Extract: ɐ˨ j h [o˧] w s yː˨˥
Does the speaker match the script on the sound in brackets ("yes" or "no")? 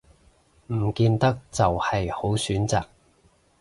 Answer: no